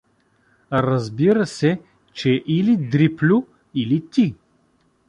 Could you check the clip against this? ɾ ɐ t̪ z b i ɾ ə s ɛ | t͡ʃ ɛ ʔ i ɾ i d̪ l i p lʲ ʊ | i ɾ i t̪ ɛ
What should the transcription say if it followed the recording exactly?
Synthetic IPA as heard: ɾ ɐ z b i ɾ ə s ɛ | t͡ʃ ɛ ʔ i l i d̪ ɾ i p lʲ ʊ | i l i t̪ i